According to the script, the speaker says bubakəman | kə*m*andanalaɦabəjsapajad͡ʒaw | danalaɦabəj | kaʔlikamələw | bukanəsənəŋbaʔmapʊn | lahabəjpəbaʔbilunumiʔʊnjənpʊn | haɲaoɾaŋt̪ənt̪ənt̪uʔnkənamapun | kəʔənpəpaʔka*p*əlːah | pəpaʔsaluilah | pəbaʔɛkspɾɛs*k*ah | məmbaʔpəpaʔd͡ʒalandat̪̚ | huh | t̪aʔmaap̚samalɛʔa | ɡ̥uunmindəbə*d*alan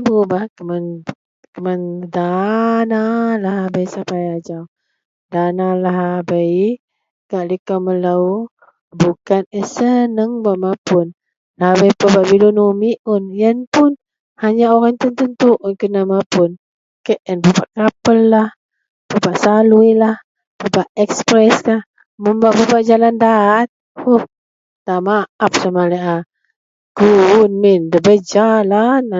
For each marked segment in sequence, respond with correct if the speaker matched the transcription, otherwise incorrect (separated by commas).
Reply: correct, correct, correct, incorrect